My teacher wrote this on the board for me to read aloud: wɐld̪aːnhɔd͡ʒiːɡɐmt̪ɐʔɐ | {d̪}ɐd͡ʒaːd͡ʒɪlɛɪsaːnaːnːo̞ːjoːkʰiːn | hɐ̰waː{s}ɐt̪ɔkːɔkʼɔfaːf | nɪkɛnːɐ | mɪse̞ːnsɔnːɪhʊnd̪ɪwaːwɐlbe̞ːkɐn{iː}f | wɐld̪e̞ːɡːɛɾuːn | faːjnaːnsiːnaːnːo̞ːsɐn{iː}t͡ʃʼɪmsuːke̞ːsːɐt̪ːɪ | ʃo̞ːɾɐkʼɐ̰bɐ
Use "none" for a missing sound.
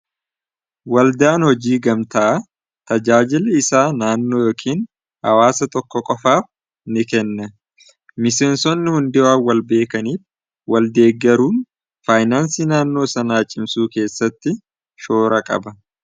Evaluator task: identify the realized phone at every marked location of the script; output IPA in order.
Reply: t̪, s, iː, aː

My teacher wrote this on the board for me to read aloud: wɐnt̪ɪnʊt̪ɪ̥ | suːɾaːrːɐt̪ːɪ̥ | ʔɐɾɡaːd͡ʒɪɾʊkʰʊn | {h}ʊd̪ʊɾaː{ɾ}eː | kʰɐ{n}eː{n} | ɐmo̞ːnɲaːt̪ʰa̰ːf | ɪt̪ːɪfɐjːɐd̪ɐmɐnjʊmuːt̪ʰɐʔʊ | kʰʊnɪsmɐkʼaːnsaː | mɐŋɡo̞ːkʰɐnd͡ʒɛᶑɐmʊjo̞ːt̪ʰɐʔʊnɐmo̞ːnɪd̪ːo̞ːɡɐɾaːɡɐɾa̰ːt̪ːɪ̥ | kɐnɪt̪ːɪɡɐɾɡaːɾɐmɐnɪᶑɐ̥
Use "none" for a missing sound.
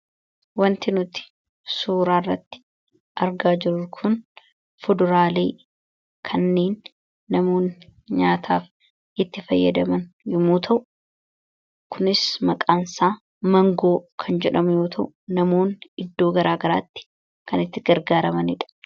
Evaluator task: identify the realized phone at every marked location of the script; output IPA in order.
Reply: f, l, nː, nː

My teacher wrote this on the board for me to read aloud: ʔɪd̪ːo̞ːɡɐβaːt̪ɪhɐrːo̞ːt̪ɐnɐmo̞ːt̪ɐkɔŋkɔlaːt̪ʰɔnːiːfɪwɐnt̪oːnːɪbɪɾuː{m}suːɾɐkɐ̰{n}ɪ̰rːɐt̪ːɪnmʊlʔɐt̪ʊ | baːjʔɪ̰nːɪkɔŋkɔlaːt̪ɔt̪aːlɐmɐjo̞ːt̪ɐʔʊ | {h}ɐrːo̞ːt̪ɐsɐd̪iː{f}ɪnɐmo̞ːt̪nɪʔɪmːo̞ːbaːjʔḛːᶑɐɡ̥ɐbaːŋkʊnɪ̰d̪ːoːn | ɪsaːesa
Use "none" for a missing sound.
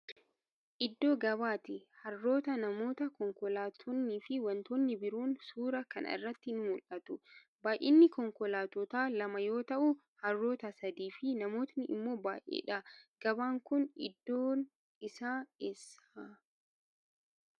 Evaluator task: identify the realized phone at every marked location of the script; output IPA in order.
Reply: n, n, h, f

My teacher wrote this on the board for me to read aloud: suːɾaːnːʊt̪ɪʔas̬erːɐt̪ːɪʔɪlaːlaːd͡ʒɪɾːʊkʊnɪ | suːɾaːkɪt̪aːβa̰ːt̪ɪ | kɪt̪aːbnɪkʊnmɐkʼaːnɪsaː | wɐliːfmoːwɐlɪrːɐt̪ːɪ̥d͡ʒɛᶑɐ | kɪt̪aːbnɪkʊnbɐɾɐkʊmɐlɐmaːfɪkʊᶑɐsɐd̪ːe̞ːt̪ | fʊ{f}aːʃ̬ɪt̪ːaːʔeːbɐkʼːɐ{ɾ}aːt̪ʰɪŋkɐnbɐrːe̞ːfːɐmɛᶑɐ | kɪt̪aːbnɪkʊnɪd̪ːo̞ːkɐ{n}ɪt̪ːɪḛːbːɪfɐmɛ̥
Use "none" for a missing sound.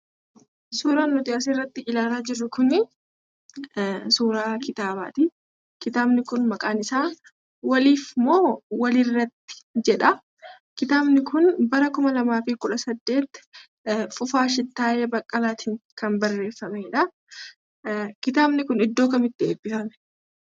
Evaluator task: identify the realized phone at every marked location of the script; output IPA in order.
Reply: f, l, m

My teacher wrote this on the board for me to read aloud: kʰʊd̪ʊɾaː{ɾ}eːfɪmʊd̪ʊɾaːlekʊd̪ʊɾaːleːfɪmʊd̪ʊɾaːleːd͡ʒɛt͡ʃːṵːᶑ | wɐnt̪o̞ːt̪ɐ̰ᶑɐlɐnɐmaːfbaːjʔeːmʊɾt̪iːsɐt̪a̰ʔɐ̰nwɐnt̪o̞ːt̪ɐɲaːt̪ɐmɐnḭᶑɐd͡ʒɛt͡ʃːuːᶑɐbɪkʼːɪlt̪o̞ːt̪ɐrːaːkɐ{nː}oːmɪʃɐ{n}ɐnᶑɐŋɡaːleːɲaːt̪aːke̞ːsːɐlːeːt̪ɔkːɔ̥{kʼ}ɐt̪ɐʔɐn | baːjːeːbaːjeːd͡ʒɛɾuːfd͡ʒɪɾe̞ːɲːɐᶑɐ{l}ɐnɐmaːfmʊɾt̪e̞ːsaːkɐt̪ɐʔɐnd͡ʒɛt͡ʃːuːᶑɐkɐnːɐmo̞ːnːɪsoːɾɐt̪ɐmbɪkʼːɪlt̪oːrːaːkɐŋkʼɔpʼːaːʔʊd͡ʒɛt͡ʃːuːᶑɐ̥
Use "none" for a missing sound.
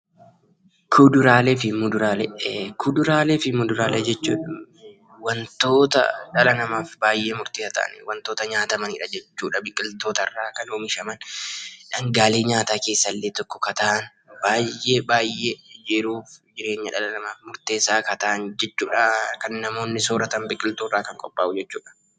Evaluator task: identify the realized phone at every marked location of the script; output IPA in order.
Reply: l, n, m, k, l

